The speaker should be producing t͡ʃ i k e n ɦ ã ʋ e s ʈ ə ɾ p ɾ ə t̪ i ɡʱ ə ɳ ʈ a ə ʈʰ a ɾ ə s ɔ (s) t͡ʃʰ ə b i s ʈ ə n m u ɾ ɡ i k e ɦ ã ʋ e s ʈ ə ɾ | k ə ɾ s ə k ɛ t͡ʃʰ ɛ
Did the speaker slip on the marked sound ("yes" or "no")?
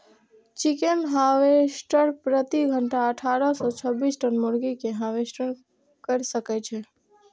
yes